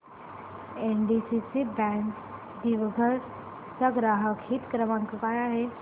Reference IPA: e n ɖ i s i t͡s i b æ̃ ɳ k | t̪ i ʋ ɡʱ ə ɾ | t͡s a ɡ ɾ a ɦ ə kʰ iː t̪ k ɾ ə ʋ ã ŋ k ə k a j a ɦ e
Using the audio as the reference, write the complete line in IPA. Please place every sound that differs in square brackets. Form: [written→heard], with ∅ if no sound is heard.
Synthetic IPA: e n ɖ i s i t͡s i b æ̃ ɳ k | [t̪→d̪] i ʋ ɡʱ ə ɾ | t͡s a ɡ ɾ a ɦ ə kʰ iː t̪ k ɾ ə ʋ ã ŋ k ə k a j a ɦ e